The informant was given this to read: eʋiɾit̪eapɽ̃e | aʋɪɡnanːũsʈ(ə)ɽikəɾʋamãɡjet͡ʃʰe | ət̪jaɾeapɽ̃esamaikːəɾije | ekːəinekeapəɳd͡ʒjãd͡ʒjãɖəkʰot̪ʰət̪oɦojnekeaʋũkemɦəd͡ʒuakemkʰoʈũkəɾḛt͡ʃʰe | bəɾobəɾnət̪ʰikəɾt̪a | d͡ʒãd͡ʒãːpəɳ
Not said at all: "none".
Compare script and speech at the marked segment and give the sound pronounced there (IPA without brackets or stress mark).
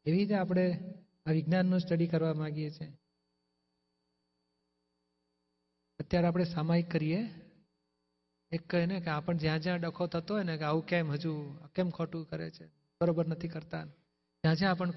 ə